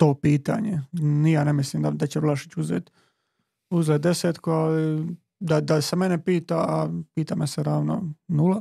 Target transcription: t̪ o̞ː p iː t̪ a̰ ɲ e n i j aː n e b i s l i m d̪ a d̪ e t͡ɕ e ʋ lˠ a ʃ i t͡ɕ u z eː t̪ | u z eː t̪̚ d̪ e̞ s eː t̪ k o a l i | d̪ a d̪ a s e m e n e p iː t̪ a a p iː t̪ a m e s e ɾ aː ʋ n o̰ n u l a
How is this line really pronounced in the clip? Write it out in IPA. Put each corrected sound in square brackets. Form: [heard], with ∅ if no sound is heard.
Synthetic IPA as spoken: t̪ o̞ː p iː t̪ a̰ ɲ e n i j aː n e [m] i s l i m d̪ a d̪ [a] t͡ɕ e ʋ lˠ a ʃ i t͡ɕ u z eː t̪ | u z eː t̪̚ d̪ e̞ s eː t̪ k o a l i | d̪ a d̪ a s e m e n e p iː t̪ a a p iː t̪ a m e s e ɾ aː ʋ n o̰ n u l a